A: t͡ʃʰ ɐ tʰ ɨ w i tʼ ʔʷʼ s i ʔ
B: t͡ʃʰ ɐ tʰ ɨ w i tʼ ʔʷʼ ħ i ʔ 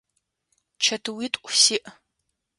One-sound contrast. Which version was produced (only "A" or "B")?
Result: A